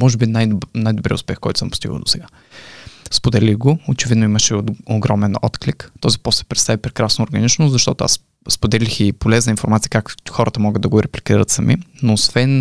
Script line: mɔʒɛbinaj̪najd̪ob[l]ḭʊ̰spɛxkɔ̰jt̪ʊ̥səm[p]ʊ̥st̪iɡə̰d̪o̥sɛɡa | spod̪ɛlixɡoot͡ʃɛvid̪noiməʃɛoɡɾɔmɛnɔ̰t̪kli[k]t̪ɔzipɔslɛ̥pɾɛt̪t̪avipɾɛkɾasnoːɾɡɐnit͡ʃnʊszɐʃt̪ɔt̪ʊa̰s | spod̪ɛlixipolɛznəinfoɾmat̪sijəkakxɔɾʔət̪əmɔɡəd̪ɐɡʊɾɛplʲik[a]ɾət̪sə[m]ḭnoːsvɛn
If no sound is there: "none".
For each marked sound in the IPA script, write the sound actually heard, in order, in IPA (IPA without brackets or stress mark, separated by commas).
ɾ, p, k, i, m